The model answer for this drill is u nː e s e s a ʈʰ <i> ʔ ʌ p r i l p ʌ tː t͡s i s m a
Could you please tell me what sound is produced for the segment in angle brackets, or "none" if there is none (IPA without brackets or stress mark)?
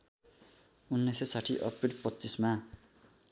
i